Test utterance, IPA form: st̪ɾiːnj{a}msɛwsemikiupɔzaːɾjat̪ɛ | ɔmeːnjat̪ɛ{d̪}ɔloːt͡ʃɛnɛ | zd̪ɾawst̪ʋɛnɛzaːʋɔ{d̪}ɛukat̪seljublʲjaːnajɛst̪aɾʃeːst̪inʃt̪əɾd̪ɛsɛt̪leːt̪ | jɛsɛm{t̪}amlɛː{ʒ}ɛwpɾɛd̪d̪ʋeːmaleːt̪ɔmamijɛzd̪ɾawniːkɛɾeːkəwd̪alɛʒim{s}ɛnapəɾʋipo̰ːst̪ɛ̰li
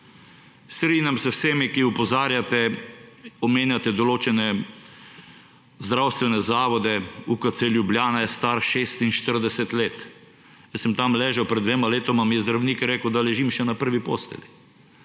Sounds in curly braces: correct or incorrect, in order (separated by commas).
correct, correct, correct, correct, correct, incorrect